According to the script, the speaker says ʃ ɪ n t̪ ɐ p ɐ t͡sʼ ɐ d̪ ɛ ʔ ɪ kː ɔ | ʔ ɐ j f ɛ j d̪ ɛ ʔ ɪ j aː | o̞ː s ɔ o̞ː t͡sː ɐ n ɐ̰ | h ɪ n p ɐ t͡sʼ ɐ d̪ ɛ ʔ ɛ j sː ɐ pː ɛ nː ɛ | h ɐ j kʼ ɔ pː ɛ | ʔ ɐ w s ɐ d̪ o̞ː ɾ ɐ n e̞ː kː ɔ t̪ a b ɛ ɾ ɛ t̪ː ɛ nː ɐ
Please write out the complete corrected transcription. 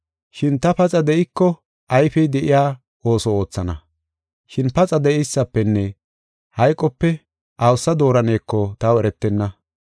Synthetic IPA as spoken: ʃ ɪ n t̪ ɐ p ɐ t͡sʼ ɐ d̪ ɛ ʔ ɪ kː ɔ | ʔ ɐ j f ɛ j d̪ ɛ ʔ ɪ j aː | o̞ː s ɔ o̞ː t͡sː ɐ n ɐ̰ | ʃ ɪ n p ɐ t͡sʼ ɐ d̪ ɛ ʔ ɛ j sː ɐ pː ɛ nː ɛ | h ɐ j kʼ ɔ pː ɛ | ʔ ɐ w s ɐ d̪ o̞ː ɾ ɐ n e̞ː kː ɔ t̪ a w ɛ ɾ ɛ t̪ː ɛ nː ɐ